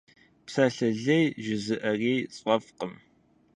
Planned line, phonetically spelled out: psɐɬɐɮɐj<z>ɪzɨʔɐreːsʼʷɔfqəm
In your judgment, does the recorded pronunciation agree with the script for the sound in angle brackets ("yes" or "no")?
no